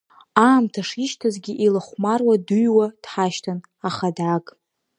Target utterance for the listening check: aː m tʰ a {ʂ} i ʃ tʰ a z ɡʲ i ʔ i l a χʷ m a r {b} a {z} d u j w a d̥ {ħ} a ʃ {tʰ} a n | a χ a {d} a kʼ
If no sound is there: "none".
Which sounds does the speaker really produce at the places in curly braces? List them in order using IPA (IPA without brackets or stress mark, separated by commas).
ʂ, w, none, ħ, tʰ, d